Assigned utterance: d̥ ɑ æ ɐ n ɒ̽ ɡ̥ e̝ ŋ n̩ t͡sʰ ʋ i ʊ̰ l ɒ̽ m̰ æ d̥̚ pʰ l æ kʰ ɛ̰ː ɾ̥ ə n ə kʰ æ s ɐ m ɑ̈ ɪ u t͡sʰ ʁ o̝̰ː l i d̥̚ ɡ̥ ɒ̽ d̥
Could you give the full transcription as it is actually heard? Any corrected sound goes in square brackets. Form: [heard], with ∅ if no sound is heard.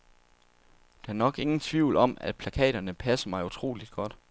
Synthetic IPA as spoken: d̥ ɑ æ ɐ n ɒ̽ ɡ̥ e̝ ŋ n̩ t͡sʰ ʋ i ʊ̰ l ɒ̽ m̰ æ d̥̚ pʰ l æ kʰ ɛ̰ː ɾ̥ [ɐ] n ə [pʰ] æ s ɐ m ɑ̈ ɪ u t͡sʰ ʁ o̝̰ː l i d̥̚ ɡ̥ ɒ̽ d̥